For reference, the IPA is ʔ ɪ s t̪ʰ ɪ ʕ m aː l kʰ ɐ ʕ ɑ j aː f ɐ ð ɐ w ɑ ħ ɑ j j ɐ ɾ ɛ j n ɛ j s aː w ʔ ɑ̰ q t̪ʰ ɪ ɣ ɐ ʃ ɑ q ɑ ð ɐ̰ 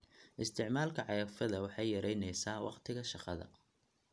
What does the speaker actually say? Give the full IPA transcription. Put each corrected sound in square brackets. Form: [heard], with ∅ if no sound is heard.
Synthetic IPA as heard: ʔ ɪ s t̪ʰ ɪ ʕ m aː l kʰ ɐ ʕ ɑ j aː f ɐ ð ɐ w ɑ ħ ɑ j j ɐ ɾ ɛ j n ɛ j s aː w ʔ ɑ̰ q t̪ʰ ɪ ɣ ɐ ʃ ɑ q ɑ ð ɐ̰